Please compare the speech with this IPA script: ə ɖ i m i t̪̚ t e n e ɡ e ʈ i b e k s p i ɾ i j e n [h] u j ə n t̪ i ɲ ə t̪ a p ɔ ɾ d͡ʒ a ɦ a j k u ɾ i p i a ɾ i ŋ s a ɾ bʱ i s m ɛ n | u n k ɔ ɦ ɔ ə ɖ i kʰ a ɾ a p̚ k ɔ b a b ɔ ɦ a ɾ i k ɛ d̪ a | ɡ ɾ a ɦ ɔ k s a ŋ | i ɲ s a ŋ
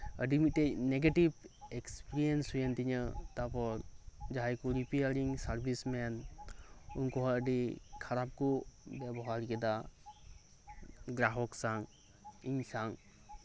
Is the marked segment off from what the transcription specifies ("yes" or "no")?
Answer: yes